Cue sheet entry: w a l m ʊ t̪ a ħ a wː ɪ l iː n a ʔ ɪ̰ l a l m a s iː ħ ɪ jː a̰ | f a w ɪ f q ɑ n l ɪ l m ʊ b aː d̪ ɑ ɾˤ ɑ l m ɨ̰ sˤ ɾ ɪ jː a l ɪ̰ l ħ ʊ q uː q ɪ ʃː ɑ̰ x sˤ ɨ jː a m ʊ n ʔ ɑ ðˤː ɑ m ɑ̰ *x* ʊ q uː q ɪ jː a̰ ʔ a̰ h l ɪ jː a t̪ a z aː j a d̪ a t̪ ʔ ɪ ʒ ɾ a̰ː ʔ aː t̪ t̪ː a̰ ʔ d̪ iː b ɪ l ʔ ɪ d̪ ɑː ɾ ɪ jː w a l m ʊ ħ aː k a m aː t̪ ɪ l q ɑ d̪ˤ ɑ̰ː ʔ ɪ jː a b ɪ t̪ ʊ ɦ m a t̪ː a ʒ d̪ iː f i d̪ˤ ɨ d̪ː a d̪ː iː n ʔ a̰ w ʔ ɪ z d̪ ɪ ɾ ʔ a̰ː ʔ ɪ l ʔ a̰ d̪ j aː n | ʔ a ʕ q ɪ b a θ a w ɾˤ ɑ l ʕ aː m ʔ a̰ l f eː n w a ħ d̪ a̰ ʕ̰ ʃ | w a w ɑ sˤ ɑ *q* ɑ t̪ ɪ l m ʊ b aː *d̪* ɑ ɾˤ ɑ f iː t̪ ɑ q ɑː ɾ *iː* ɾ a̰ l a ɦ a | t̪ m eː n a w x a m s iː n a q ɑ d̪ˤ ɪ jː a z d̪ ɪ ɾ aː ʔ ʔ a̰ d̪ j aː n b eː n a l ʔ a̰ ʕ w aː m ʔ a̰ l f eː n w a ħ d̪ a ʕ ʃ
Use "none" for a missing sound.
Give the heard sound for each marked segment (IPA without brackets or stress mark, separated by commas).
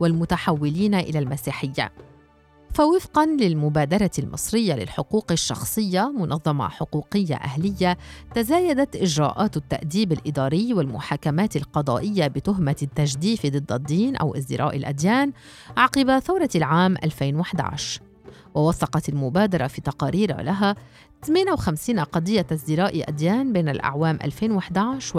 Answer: ħ, q, d̪, iː